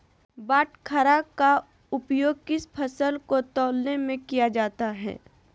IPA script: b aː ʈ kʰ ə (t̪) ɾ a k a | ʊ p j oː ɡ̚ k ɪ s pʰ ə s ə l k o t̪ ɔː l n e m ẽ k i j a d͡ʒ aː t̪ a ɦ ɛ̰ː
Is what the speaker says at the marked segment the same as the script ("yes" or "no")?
no